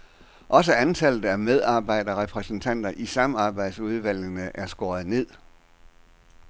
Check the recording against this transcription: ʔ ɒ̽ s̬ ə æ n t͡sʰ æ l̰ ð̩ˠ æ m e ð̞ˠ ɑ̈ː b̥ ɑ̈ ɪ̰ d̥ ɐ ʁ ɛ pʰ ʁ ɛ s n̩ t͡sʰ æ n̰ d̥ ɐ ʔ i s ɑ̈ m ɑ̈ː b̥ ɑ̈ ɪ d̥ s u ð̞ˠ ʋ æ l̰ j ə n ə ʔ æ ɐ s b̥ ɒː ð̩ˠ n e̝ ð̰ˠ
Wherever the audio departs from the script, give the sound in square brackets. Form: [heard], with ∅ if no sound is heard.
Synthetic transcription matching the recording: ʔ ɒ̽ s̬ ə æ n t͡sʰ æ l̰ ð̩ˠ æ m e ð̞ˠ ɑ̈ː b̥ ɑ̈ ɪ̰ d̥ ɐ ʁ ɛ pʰ ʁ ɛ s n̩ t͡sʰ æ n̰ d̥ ɐ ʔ i s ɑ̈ m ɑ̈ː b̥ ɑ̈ ɪ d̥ s u ð̞ˠ ʋ æ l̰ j ə n ə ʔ æ ɐ s [ɡ̥] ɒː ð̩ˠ n e̝ ð̰ˠ

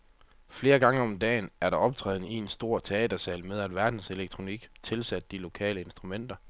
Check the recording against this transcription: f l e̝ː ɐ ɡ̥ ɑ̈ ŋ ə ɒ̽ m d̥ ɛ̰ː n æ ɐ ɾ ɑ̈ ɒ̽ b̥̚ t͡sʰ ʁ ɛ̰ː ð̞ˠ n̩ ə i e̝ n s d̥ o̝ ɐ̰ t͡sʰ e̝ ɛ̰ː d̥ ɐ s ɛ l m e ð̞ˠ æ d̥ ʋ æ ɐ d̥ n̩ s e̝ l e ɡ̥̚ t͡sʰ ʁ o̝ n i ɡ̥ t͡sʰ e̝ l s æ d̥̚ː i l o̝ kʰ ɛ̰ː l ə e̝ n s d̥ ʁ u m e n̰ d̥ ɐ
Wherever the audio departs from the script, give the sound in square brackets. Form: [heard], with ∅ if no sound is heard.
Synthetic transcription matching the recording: f l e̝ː ɐ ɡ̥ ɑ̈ ŋ ə ɒ̽ m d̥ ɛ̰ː n æ ɐ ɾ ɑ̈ ɒ̽ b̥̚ t͡sʰ ʁ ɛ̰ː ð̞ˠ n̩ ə i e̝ n s d̥ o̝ ɐ̰ t͡sʰ e̝ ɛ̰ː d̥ ɐ s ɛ l m e ð̞ˠ æ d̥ ʋ æ ɐ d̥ n̩ s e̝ l e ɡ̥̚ t͡sʰ ʁ o̝ n i ɡ̥ t͡sʰ e̝ l s æ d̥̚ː i l o̝ kʰ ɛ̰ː l ə e̝ n s d̥ ʁ u m e n̰ d̥ ɐ

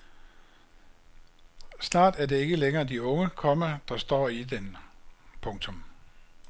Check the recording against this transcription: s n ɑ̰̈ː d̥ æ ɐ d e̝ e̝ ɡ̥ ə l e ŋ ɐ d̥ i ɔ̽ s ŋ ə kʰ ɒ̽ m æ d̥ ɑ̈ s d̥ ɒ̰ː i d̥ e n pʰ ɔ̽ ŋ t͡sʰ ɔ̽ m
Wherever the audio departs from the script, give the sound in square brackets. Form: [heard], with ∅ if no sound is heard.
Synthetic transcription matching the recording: s n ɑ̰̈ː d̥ æ ɐ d e̝ e̝ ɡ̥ ə l e ŋ [ɐː] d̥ i ɔ̽ [∅] ŋ ə kʰ ɒ̽ m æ d̥ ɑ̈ s d̥ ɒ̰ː i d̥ e n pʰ ɔ̽ ŋ t͡sʰ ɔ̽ m

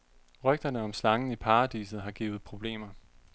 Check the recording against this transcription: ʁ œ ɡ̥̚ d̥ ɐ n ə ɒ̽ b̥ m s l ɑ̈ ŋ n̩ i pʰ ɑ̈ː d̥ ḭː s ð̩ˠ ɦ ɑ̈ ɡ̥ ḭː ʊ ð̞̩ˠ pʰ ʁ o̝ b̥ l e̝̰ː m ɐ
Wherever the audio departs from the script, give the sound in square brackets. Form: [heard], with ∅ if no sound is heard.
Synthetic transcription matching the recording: ʁ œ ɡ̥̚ d̥ ɐ n ə ɒ̽ [∅] m s l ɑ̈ ŋ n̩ i pʰ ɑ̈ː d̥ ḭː s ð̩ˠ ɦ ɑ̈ ɡ̥ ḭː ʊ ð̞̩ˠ pʰ ʁ o̝ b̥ l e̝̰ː m ɐ

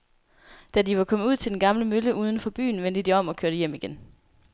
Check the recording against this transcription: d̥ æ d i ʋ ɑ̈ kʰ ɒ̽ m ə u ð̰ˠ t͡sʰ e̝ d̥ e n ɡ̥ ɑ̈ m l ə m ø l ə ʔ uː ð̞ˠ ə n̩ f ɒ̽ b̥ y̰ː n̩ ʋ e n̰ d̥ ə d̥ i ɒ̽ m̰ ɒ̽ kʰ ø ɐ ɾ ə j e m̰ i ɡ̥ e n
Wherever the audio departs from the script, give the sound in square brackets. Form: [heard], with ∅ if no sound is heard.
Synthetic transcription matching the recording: d̥ æ d i ʋ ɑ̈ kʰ ɒ̽ m ə u ð̰ˠ t͡sʰ e̝ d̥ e n ɡ̥ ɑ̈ m l ə m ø l ə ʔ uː ð̞ˠ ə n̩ f ɒ̽ b̥ y̰ː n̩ ʋ e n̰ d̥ ə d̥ i ɒ̽ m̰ ɒ̽ kʰ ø ɐ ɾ ə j e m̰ i ɡ̥ e n

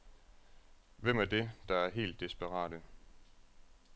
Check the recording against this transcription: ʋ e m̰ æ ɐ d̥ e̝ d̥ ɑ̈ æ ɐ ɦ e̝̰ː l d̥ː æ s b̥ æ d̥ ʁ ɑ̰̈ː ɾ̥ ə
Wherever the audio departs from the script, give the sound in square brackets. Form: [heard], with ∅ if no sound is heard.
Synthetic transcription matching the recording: ʋ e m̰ æ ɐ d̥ e̝ d̥ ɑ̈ æ ɐ ɦ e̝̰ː l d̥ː [i] s b̥ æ [∅] ʁ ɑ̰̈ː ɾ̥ ə

